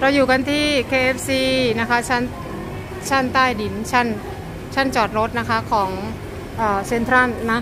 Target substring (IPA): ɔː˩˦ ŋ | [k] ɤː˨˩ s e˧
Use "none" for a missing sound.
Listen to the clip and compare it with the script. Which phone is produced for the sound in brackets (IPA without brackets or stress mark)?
ʔ